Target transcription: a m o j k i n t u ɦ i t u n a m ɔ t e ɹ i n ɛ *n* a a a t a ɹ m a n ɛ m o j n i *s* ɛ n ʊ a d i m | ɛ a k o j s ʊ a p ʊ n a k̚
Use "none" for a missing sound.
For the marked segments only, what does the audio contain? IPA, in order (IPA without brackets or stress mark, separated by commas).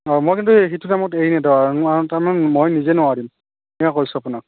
d, z